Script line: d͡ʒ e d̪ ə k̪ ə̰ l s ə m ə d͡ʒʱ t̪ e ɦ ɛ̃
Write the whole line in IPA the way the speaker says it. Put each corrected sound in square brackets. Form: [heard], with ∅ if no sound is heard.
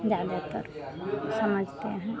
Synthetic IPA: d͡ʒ [a] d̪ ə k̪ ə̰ [ɾ] s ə m ə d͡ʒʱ t̪ e ɦ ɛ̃